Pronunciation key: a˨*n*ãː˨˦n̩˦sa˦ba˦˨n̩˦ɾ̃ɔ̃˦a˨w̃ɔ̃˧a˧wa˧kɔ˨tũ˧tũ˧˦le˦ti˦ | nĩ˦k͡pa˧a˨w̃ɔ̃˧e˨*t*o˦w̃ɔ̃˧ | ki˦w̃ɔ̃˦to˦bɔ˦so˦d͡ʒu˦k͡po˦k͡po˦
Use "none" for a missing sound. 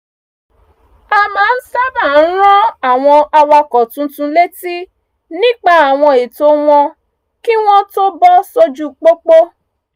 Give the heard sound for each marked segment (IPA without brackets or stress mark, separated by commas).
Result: m, t